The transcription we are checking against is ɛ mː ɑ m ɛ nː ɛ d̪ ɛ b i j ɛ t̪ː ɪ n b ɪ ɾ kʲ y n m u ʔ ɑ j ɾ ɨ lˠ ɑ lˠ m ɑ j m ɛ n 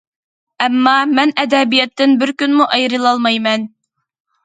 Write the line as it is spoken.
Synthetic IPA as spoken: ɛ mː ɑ m ɛ n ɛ d̪ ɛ b i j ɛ t̪ː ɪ n b ɪ ɾ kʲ y n m u ʔ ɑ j ɾ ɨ lˠ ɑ lˠ m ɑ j m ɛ n